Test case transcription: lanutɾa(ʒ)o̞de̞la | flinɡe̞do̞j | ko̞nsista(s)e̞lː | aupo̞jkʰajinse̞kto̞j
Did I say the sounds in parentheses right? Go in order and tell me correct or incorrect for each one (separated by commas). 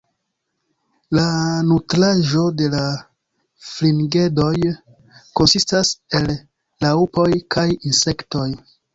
correct, correct